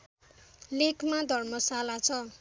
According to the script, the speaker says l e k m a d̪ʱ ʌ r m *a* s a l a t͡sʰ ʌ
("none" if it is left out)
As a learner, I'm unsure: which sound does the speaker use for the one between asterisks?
ʌ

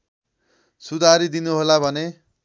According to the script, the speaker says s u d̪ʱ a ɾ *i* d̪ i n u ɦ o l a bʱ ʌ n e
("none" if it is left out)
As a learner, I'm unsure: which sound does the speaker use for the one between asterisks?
i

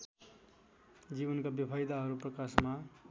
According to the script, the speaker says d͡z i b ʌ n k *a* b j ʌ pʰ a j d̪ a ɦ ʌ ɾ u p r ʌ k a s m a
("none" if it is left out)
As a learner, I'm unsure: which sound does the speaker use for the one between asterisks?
a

